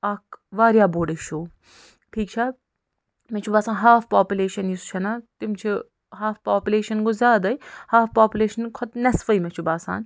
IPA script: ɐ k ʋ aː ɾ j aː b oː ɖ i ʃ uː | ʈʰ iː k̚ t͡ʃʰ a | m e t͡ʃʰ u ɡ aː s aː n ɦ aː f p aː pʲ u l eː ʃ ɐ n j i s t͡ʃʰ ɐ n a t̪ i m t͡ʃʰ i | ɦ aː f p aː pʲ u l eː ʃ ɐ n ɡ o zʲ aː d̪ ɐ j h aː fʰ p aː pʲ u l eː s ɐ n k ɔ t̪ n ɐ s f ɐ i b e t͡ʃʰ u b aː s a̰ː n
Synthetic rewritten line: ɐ k ʋ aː ɾ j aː b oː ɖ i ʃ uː | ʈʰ iː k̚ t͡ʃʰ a | m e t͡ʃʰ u b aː s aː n ɦ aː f p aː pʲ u l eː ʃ ɐ n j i s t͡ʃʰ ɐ n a t̪ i m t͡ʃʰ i | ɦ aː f p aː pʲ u l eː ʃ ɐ n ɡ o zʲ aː d̪ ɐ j h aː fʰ p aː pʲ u l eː ʃ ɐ n kʰ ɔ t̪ n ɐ s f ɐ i m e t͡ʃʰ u b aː s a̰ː n